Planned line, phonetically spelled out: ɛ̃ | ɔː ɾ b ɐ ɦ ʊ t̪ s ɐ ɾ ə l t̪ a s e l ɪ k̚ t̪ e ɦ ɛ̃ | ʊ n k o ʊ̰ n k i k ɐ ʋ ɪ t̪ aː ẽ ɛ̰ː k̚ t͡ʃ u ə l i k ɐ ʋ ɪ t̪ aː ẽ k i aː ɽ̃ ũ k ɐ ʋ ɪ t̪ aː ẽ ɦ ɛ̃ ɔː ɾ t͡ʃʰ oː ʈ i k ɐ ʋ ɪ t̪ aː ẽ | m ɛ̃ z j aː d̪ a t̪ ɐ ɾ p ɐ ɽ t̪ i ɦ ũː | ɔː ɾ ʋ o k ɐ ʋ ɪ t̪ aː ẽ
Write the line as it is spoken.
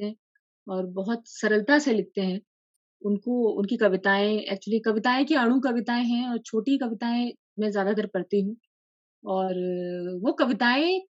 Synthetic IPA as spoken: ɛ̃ | ɔː ɾ b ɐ ɦ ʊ t̪ s ɐ ɾ ə l t̪ a s e l ɪ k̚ t̪ e ɦ ɛ̃ | ʊ n k o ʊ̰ n k i k ɐ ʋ ɪ t̪ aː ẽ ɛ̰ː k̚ t͡ʃ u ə l i k ɐ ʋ ɪ t̪ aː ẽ k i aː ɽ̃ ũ k ɐ ʋ ɪ t̪ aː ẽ ɦ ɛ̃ ɔː ɾ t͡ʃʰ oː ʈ i k ɐ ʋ ɪ t̪ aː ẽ | m ɛ̃ z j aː d̪ a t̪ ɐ ɾ p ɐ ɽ t̪ i ɦ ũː | ɔː ɾ ʋ o k ɐ ʋ ɪ t̪ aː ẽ